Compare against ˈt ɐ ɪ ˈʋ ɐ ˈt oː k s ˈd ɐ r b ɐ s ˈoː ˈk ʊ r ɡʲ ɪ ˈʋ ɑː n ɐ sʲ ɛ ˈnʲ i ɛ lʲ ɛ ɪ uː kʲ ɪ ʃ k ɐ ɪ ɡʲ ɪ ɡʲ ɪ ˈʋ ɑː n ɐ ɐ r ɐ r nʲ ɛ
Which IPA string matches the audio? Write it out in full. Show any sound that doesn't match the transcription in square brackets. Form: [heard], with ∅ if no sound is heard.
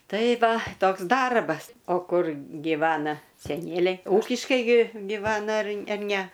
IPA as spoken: ˈt ɐ ɪ ˈʋ ɐ ˈt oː k s ˈd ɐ r b ɐ s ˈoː ˈk ʊ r ɡʲ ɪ ˈʋ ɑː n ɐ sʲ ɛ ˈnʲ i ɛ lʲ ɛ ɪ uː kʲ ɪ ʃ k ɐ ɪ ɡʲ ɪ ɡʲ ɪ ˈʋ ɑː n ɐ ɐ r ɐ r nʲ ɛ

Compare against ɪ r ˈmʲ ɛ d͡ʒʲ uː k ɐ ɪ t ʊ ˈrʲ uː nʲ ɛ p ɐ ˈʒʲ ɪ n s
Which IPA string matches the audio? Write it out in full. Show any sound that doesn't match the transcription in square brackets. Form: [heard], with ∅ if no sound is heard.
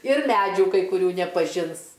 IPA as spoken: ɪ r ˈmʲ [æ] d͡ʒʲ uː k ɐ ɪ [k] ʊ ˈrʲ uː nʲ ɛ p ɐ ˈʒʲ ɪ n s

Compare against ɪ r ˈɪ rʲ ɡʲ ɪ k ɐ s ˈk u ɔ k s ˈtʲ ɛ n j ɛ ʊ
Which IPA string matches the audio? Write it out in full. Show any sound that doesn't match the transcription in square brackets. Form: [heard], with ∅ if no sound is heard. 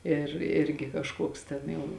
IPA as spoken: ɪ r ˈɪ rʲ ɡʲ ɪ k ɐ [ʃ] ˈk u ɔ k s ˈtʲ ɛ n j ɛ ʊ

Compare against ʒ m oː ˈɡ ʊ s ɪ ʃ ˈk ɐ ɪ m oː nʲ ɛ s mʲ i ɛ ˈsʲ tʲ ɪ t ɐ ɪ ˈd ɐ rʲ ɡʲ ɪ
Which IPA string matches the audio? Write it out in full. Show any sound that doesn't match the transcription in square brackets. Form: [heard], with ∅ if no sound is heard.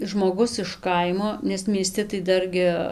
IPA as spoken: ʒ m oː ˈɡ ʊ s ɪ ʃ ˈk ɐ ɪ m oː nʲ ɛ s mʲ i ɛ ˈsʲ tʲ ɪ t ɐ ɪ ˈd ɐ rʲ ɡʲ ɪ

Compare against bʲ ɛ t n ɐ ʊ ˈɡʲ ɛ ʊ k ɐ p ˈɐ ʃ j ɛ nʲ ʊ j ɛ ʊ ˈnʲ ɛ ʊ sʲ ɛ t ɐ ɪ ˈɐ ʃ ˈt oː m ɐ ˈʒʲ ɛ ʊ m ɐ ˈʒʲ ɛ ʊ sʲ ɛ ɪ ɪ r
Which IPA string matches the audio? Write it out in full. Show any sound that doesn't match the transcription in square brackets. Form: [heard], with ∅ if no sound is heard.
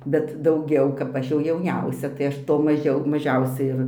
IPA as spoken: bʲ ɛ t [d] ɐ ʊ ˈɡʲ ɛ ʊ k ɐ p ˈɐ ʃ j ɛ [∅] ʊ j ɛ ʊ ˈnʲ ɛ ʊ sʲ ɛ t ɐ ɪ ˈɐ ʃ ˈt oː m ɐ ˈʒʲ ɛ ʊ m ɐ ˈʒʲ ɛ ʊ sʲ ɛ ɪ ɪ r

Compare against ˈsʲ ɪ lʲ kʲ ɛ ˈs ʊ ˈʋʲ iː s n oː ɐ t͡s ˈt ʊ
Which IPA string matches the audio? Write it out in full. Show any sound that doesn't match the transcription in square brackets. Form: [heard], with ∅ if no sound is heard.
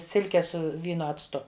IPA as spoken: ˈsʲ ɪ lʲ kʲ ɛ ˈs ʊ ˈʋʲ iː [∅] n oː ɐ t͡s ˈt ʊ

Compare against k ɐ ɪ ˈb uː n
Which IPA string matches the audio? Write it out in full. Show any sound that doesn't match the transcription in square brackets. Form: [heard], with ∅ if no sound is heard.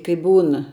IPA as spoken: k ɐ ɪ ˈb uː n

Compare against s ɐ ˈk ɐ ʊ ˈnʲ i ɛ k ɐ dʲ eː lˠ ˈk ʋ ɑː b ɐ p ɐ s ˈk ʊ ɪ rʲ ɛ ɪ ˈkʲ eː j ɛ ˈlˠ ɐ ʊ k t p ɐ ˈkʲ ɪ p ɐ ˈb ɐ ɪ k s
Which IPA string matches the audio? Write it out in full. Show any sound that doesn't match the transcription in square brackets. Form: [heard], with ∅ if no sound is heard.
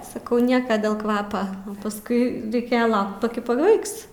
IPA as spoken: s ɐ ˈk ɐ ʊ ˈnʲ i ɛ k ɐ dʲ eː lˠ ˈk ʋ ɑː [p] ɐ p ɐ s ˈk ʊ ɪ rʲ ɛ ɪ ˈkʲ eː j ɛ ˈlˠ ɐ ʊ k t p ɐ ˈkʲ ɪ p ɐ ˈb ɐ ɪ k s

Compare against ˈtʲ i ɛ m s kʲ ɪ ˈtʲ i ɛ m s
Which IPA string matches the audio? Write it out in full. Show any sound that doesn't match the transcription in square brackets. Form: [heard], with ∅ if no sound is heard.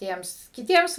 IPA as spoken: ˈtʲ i ɛ m s kʲ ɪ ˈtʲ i ɛ m s

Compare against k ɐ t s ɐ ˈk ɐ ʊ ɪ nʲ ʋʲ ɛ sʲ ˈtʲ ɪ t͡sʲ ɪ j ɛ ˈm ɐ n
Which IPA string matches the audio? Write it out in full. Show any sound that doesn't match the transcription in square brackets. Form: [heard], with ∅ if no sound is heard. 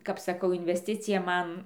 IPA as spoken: k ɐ [p] s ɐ ˈk ɐ ʊ ɪ nʲ ʋʲ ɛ sʲ ˈtʲ ɪ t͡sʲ ɪ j ɛ ˈm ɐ n

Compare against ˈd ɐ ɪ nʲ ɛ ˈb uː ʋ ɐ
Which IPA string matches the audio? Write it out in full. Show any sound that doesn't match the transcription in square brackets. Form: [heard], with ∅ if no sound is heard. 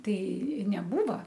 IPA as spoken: [ˈt] ɐ ɪ nʲ ɛ ˈb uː ʋ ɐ

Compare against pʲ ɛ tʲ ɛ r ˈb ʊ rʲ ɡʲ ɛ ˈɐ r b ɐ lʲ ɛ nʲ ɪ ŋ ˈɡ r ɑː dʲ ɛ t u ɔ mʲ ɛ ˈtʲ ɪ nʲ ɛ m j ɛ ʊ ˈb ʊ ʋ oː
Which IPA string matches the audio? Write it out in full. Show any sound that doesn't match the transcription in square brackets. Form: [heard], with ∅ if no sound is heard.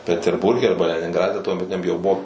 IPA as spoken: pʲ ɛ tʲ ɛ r ˈb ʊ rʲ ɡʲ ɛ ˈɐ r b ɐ lʲ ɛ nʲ ɪ ŋ ˈɡ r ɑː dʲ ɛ t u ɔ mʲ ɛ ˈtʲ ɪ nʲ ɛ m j ɛ ʊ ˈb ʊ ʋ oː

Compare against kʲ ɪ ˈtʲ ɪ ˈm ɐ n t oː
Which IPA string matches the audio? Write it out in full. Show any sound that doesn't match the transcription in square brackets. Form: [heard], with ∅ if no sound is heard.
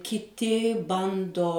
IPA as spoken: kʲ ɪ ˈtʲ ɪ [ˈb] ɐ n [d] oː

